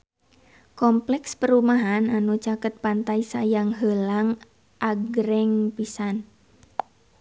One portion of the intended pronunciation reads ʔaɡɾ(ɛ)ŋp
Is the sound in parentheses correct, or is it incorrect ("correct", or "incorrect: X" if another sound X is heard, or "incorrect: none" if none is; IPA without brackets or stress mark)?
correct